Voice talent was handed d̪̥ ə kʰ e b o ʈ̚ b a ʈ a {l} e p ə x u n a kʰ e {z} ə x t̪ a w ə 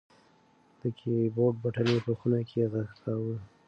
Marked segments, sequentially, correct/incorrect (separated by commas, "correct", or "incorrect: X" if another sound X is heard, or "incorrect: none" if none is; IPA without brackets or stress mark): correct, incorrect: ɣ